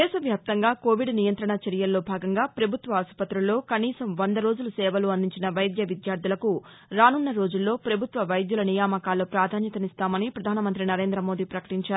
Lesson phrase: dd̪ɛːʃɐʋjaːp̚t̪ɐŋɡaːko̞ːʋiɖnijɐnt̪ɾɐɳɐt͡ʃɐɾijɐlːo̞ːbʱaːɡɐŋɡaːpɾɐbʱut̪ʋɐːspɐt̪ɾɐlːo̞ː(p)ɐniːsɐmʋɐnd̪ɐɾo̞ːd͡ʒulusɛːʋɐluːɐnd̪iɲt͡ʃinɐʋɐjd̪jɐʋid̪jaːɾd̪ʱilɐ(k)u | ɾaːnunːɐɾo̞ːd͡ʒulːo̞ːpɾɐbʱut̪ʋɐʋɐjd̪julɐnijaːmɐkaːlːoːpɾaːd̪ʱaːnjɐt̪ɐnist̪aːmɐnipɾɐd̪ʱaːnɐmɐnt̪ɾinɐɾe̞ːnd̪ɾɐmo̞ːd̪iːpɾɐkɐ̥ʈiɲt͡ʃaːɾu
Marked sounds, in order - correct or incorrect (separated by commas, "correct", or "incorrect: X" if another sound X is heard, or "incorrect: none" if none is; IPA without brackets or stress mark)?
incorrect: k, correct